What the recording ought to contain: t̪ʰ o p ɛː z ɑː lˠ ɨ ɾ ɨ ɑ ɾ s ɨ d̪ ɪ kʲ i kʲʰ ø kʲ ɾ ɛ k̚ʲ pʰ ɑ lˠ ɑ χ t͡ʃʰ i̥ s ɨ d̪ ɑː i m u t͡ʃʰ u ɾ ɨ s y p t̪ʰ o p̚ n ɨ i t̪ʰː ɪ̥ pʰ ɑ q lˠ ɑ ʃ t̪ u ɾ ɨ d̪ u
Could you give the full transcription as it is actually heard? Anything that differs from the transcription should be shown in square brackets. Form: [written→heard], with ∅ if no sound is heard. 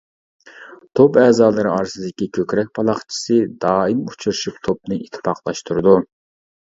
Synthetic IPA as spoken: t̪ʰ o p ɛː z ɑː lˠ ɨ ɾ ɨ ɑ ɾ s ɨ d̪ ɪ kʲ i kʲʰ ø kʲ ɾ ɛ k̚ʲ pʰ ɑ lˠ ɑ χ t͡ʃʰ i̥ s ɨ d̪ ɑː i m u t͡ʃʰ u ɾ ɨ [s→ʃ] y p t̪ʰ o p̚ n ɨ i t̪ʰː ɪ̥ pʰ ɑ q lˠ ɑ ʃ t̪ u ɾ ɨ d̪ u